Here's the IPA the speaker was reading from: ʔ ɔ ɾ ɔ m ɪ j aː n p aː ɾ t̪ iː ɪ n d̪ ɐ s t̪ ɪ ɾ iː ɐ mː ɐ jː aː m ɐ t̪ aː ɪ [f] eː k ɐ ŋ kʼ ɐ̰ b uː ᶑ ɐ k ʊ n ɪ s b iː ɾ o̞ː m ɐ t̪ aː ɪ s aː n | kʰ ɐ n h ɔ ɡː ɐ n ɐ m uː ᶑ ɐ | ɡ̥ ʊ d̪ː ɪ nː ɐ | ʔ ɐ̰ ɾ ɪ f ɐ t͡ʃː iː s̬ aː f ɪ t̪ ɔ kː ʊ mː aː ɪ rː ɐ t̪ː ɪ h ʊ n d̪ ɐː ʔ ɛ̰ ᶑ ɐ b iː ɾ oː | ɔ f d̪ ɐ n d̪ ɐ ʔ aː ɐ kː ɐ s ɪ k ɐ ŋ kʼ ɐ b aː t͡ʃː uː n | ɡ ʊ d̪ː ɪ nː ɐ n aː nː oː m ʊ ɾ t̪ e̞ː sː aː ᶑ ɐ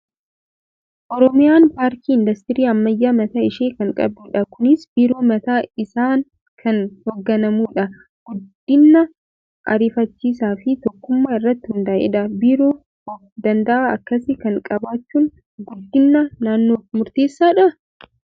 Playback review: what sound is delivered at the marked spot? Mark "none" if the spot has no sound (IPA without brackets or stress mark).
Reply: ʃ